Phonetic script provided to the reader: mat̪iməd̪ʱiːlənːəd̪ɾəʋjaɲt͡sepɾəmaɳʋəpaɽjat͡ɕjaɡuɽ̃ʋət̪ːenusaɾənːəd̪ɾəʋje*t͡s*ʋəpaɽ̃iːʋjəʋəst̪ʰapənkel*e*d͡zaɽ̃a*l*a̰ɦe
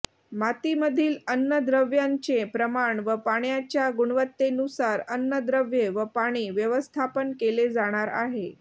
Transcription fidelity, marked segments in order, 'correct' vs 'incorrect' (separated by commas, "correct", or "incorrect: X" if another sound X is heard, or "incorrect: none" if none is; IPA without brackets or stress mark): incorrect: none, correct, incorrect: ɾ